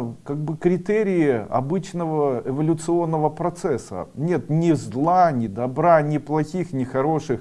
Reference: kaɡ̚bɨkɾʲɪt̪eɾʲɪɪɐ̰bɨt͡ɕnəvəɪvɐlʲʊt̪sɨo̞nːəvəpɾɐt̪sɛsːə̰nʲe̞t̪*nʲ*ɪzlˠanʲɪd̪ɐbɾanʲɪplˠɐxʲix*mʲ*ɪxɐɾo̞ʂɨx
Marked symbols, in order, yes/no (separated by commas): yes, no